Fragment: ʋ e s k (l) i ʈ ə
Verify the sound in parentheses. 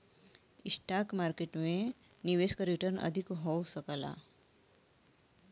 incorrect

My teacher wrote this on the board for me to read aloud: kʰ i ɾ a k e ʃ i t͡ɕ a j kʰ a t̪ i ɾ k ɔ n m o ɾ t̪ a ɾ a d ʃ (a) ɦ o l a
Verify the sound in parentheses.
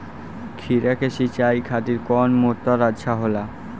correct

